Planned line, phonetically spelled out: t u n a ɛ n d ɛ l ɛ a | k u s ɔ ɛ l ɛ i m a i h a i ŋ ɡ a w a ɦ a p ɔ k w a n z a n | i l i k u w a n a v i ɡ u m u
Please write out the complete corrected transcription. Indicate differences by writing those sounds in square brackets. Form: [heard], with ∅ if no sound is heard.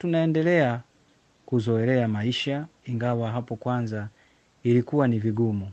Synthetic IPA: t u n a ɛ n d ɛ l ɛ a | k u [z] ɔ ɛ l ɛ [a] m a i [ʃ] a i ŋ ɡ a w a ɦ a p ɔ k w a n z a [∅] | i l i k u w a n [i] v i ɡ u m u